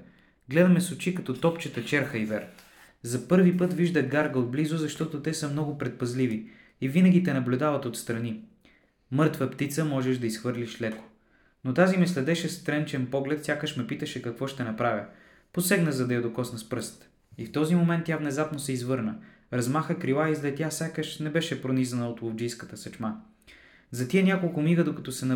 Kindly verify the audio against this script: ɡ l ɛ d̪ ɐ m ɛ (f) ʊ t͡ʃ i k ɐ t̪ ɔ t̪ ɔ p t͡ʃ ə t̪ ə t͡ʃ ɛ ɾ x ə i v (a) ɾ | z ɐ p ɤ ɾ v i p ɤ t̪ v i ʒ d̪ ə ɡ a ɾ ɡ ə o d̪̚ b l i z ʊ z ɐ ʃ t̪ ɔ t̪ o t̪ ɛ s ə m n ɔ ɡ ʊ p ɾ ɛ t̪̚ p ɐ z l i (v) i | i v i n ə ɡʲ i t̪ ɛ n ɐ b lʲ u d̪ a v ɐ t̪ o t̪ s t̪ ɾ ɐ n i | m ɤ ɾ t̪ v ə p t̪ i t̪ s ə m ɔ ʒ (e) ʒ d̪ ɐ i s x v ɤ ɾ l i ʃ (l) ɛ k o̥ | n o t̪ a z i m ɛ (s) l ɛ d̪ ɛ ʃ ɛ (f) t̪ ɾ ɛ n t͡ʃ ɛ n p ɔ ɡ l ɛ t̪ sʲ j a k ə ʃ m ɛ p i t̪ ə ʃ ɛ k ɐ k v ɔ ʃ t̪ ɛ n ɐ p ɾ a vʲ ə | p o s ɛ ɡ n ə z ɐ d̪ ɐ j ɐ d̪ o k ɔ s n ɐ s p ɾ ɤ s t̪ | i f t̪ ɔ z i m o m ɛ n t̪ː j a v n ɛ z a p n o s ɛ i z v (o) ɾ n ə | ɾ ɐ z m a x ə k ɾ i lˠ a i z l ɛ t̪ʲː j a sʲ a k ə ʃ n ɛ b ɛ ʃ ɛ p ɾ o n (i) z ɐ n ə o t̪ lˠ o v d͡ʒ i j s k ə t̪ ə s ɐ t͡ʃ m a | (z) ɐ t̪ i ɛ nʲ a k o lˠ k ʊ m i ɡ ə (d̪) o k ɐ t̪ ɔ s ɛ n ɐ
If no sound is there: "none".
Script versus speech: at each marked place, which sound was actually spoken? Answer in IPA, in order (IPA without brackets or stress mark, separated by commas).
s, ɛ, v, ɛ, l, s, s, ɤ, i, z, d̪